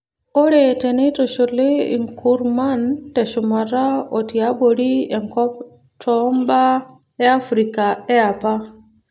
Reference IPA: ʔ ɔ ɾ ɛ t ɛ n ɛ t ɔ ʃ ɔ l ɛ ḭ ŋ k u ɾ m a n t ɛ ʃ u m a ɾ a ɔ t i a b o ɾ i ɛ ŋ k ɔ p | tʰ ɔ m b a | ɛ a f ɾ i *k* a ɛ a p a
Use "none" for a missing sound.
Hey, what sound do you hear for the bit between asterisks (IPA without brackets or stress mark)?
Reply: k